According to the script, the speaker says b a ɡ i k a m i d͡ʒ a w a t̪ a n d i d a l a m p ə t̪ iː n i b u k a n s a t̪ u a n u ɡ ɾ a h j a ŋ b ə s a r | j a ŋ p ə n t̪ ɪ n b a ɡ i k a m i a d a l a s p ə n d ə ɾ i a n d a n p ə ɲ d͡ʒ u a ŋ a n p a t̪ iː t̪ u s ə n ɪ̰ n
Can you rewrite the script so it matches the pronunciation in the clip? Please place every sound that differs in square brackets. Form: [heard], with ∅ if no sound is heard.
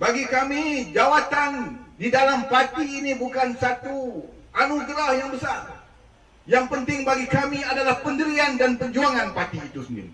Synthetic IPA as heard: b a ɡ i k a m i d͡ʒ a w a t̪ a n d i d a l a m p [a] t̪ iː n i b u k a n s a t̪ u a n u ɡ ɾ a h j a ŋ b ə s a r | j a ŋ p ə n t̪ ɪ [ŋ] b a ɡ i k a m i a d a l a [h] p ə n d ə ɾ i a n d a n p ə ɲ d͡ʒ u a ŋ a n p a t̪ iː t̪ u s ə n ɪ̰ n